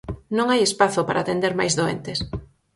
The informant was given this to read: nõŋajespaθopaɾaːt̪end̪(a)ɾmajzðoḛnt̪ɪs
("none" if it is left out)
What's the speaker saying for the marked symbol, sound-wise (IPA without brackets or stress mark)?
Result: e